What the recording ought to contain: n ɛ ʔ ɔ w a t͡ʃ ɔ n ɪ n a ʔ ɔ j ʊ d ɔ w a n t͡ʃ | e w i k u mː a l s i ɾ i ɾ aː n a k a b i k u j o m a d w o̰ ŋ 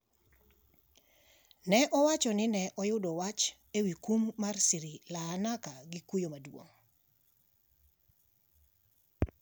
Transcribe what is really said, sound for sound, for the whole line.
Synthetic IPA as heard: n ɛ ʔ ɔ w a t͡ʃ ɔ n ɪ n ɛ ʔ ɔ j ʊ d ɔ w a t͡ʃ | e w i k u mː a r s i ɾ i l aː n a k a ɡ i k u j o m a d w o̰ ŋ